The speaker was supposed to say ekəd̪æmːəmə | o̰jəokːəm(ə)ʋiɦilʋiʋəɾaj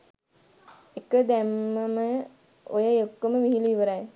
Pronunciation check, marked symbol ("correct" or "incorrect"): correct